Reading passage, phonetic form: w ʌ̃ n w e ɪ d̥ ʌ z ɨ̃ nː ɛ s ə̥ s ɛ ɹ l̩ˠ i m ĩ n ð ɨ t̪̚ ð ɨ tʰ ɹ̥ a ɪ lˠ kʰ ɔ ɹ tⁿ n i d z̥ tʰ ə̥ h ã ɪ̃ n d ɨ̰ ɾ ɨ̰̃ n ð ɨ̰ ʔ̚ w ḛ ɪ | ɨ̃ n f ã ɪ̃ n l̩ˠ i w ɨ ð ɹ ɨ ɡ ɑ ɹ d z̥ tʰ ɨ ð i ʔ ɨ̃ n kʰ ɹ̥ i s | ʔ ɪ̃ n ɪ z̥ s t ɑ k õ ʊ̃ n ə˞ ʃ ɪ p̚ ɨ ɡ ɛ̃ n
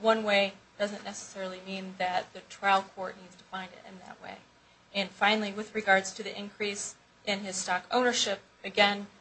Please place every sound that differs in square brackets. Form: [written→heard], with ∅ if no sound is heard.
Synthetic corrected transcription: w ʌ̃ n w e ɪ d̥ ʌ z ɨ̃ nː ɛ s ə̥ s ɛ ɹ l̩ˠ i m ĩ n ð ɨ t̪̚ ð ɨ tʰ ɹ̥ a ɪ lˠ kʰ ɔ ɹ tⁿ n i d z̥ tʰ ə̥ [h→f] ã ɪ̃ n d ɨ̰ ɾ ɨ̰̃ n ð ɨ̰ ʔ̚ w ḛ ɪ | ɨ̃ n f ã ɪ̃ n l̩ˠ i w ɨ ð ɹ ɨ ɡ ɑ ɹ d z̥ tʰ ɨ ð i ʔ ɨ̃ n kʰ ɹ̥ i s | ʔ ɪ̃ n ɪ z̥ s t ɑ k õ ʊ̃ n ə˞ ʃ ɪ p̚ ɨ ɡ ɛ̃ n

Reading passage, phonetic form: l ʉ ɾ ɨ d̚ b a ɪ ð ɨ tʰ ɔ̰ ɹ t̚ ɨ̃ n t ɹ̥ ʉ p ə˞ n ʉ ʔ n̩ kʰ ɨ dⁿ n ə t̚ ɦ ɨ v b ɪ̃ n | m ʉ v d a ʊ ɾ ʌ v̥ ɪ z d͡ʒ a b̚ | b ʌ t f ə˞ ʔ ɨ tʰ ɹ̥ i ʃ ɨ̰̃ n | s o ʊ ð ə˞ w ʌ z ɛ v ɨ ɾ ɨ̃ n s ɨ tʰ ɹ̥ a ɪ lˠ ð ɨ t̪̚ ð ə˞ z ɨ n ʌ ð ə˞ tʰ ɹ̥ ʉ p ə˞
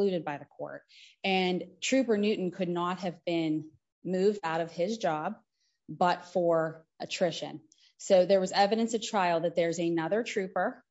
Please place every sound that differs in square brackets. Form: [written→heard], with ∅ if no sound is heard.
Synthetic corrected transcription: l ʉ ɾ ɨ d̚ b a ɪ ð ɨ [tʰ→kʰ] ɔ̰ ɹ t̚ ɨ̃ n [t→tʰ] ɹ̥ ʉ p ə˞ n ʉ ʔ n̩ kʰ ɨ dⁿ n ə t̚ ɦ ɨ v b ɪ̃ n | m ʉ v d a ʊ ɾ ʌ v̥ ɪ z d͡ʒ [a→ɑ] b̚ | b ʌ t f ə˞ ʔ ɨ tʰ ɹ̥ [i→ɪ] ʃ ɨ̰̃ n | s o ʊ ð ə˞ w ʌ z ɛ v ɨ ɾ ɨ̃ n s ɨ tʰ ɹ̥ a ɪ lˠ ð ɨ t̪̚ ð ə˞ z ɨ n ʌ ð ə˞ tʰ ɹ̥ ʉ p ə˞

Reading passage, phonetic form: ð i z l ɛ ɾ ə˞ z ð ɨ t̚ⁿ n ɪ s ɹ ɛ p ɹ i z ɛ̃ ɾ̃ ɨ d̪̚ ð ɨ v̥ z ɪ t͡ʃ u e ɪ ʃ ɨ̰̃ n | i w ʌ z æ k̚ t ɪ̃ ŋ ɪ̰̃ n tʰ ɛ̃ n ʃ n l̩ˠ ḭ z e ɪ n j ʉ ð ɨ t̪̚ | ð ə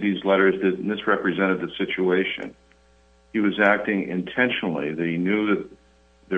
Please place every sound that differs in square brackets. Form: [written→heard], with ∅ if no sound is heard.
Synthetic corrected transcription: ð i z l ɛ ɾ ə˞ z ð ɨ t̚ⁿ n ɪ s ɹ ɛ p ɹ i z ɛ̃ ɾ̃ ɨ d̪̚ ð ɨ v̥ [z→s] ɪ t͡ʃ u e ɪ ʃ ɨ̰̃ n | i w ʌ z æ k̚ t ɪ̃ ŋ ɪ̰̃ n tʰ ɛ̃ n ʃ n l̩ˠ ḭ [z→ð] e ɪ n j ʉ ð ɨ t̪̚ | ð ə

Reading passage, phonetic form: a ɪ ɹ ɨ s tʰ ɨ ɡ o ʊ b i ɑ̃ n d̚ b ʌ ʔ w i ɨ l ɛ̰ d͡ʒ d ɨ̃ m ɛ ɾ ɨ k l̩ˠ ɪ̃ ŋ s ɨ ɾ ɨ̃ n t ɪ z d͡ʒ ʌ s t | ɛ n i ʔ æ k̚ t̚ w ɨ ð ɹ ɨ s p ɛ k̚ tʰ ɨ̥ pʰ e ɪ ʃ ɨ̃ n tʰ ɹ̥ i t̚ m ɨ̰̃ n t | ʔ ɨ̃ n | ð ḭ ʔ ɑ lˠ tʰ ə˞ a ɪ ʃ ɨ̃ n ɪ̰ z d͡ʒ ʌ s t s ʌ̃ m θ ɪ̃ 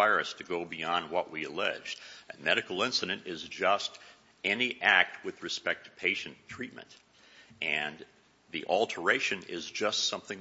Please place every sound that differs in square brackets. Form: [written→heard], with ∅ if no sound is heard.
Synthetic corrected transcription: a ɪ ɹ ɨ s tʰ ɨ ɡ o ʊ b i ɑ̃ n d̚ [b→w] ʌ ʔ w i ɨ l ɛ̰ d͡ʒ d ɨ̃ m ɛ ɾ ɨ k l̩ˠ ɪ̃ [ŋ→n] s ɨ ɾ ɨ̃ n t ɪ z d͡ʒ ʌ s t | ɛ n i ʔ æ k̚ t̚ w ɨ ð ɹ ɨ s p ɛ k̚ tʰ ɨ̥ pʰ e ɪ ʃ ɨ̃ n tʰ ɹ̥ i t̚ m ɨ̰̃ n t | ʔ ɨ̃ n | ð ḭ ʔ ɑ lˠ tʰ ə˞ [a→e] ɪ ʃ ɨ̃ n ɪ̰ z d͡ʒ ʌ s t s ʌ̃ m θ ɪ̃

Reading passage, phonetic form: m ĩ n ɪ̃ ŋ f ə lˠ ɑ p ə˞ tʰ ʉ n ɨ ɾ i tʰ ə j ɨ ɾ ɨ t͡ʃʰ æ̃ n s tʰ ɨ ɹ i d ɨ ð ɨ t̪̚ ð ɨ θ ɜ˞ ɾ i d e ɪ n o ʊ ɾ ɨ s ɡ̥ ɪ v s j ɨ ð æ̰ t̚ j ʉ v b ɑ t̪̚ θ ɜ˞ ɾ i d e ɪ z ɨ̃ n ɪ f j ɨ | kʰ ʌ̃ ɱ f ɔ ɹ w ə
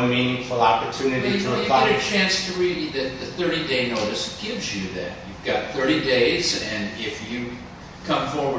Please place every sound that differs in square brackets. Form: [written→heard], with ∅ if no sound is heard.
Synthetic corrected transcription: m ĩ n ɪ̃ ŋ f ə lˠ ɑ p ə˞ tʰ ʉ n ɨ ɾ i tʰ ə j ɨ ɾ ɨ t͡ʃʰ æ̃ n s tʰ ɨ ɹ i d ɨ ð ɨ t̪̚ ð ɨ θ ɜ˞ ɾ i d e ɪ n o ʊ ɾ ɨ s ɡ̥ ɪ v [s→z] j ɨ ð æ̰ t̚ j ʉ v [b→ɡ] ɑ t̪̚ θ ɜ˞ ɾ i d e ɪ z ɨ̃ n ɪ f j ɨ | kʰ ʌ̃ ɱ f ɔ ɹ w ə

